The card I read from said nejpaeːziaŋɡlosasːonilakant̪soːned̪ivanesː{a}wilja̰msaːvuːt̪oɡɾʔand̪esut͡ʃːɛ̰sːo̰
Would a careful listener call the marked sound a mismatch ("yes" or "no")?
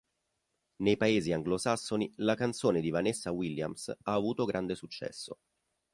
no